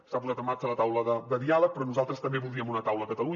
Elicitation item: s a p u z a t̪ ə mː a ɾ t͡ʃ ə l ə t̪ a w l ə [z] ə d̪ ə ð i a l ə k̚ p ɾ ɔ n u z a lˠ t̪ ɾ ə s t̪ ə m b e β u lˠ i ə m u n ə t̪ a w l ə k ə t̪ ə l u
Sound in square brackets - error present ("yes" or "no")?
yes